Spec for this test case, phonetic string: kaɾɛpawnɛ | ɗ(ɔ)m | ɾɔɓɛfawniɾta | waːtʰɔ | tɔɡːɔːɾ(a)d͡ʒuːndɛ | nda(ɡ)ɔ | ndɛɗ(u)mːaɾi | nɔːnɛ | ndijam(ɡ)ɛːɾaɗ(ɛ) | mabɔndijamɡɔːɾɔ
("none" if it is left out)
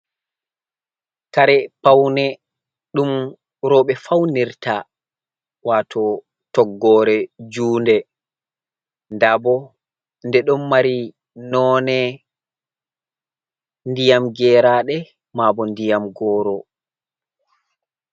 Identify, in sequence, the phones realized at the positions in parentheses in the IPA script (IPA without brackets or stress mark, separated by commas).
u, ɛ, b, ɔ, ɡ, ɛ